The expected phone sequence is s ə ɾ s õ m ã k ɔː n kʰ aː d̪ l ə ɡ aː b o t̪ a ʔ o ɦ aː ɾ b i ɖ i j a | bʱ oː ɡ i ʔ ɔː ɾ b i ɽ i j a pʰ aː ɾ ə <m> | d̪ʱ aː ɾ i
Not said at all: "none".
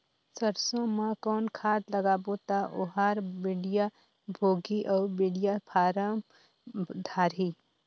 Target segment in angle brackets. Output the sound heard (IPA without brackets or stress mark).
m